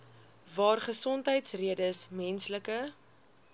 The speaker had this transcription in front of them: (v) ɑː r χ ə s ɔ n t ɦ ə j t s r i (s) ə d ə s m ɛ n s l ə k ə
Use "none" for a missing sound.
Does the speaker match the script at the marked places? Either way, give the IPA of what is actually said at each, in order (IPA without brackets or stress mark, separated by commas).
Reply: v, none